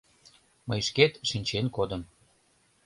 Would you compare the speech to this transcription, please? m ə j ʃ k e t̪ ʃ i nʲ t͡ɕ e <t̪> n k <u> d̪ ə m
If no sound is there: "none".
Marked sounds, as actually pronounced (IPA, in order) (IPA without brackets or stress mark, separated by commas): none, o